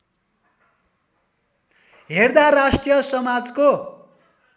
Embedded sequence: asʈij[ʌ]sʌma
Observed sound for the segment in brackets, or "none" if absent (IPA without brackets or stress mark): ʌ